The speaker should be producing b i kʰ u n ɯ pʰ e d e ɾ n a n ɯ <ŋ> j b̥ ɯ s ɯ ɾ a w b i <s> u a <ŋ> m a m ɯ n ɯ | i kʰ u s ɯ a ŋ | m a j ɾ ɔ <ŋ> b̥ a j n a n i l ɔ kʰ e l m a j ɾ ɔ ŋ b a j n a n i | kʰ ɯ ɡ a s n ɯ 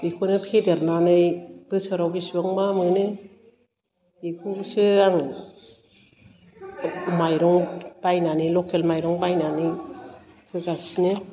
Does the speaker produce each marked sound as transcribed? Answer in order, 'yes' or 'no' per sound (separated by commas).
no, yes, yes, yes